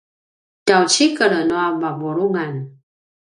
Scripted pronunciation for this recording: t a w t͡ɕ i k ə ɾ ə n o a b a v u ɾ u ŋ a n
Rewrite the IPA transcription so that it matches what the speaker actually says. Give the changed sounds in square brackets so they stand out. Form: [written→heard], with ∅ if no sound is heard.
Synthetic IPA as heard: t a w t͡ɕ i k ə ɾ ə n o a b a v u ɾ u ŋ a n